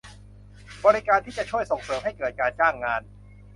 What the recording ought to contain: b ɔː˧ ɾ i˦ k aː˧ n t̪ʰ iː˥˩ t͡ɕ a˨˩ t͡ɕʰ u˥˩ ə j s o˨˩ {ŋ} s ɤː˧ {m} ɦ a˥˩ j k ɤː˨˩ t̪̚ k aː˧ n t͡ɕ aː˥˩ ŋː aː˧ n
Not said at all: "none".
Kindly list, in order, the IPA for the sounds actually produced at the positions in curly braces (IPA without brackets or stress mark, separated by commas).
ŋ, m